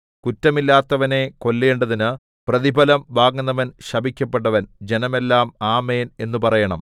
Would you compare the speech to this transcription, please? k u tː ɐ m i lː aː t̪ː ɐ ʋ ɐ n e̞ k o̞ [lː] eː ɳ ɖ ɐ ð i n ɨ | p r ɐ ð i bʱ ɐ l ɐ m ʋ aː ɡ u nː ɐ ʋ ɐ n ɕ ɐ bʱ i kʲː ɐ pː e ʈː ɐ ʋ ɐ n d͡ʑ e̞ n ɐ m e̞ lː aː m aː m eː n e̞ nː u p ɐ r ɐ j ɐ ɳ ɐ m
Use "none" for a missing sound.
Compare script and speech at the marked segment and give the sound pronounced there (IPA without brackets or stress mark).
lː